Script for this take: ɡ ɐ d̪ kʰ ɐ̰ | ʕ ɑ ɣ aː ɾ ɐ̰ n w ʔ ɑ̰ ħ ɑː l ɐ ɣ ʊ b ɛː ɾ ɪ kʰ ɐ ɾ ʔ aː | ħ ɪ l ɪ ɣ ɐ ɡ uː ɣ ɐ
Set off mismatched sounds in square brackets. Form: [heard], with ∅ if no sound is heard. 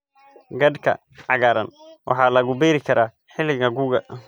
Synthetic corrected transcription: ɡ ɐ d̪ kʰ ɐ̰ | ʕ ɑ ɣ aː ɾ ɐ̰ n w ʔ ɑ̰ ħ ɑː l ɐ ɣ ʊ b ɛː ɾ ɪ kʰ ɐ ɾ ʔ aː | ħ ɪ l ɪ ɣ ɐ ɡ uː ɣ ɐ